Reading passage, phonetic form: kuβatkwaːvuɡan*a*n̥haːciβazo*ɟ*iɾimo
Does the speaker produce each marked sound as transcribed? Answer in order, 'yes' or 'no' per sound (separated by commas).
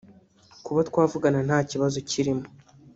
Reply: yes, no